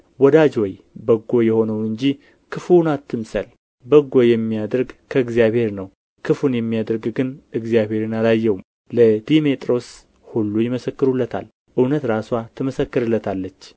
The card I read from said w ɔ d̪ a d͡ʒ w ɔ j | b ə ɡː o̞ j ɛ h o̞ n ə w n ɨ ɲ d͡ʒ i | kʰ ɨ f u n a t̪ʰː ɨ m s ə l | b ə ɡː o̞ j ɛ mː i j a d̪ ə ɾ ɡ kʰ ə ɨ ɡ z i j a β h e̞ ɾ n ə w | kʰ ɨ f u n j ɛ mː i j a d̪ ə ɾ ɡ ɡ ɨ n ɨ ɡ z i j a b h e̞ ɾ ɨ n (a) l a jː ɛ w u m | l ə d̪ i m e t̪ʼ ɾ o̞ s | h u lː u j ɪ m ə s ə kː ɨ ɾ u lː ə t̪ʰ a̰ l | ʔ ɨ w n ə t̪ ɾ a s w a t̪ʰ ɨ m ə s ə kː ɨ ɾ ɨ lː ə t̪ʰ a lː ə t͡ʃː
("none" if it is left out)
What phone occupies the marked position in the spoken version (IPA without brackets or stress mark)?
a